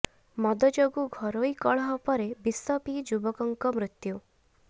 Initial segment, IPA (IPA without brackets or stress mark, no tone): m